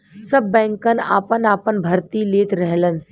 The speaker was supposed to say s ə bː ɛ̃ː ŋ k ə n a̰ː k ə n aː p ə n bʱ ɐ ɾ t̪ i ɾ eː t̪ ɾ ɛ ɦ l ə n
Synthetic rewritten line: s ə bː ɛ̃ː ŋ k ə n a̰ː p ə n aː p ə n bʱ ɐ ɾ t̪ i l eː t̪ ɾ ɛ ɦ l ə n